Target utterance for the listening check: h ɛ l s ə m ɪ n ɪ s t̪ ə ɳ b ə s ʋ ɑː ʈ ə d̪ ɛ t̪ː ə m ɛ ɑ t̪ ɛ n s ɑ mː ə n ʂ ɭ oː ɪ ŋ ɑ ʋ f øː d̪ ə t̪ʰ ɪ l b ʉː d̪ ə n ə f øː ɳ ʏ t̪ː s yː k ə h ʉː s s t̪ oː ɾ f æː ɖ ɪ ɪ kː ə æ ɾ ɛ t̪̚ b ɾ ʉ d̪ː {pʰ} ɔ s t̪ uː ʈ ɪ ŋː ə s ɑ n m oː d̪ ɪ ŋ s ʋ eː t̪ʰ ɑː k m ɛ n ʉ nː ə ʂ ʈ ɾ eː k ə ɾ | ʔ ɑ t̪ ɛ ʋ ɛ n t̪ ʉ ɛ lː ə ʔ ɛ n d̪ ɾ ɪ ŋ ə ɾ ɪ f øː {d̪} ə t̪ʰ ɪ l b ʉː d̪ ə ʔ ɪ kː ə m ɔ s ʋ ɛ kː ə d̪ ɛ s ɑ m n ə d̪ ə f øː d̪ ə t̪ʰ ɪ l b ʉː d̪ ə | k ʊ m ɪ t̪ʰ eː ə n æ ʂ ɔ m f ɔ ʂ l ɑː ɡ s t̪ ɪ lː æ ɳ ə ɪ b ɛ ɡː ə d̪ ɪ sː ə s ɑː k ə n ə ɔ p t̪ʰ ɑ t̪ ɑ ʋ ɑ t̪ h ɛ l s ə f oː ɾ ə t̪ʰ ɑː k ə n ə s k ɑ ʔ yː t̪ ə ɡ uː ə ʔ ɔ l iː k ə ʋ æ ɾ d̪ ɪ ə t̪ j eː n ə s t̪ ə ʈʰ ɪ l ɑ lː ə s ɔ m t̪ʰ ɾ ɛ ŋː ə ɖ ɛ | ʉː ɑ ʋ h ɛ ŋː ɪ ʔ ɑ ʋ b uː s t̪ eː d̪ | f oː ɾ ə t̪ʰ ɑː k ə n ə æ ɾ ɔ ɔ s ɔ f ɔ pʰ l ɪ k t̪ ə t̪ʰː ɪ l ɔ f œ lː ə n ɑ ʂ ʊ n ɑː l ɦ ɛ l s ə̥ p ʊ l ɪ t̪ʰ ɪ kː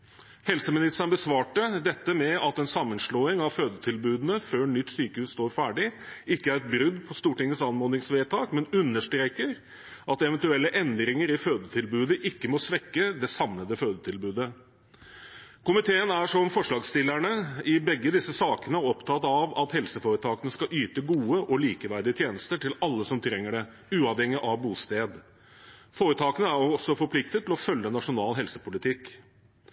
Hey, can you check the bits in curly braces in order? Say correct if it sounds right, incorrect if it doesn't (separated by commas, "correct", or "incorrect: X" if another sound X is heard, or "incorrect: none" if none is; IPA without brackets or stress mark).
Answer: correct, correct